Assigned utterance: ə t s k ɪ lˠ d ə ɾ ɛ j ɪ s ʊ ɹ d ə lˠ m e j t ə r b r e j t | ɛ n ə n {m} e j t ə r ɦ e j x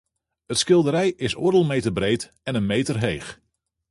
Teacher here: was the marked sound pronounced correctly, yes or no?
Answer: yes